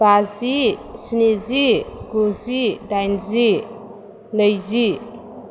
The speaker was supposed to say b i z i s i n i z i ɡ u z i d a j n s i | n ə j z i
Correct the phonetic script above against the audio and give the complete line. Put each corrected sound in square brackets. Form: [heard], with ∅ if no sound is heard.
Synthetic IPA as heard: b [a] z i s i n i z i ɡ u z i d a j n [z] i | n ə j z i